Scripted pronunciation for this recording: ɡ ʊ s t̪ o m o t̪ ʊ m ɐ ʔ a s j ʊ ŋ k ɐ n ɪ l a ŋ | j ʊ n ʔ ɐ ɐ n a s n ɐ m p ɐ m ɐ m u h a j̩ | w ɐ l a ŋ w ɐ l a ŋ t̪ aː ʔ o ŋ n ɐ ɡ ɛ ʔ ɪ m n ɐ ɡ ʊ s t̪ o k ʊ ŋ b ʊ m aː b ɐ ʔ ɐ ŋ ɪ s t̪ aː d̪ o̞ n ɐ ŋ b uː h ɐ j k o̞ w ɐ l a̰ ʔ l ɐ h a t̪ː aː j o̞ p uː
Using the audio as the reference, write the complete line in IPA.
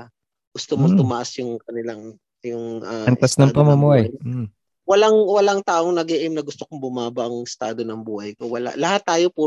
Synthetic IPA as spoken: ɡ ʊ s t̪ o m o t̪ ʊ m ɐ ʔ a s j ʊ ŋ k ɐ n ɪ l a ŋ | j ʊ ŋ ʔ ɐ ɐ n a s n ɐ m p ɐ m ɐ m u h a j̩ | w ɐ l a ŋ w ɐ l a ŋ t̪ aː ʔ o ŋ n ɐ ɡ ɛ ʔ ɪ m n ɐ ɡ ʊ s t̪ o k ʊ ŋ b ʊ m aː b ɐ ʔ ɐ ŋ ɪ s t̪ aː d̪ o̞ n ɐ ŋ b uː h ɐ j k o̞ w ɐ l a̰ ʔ l ɐ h a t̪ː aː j o̞ p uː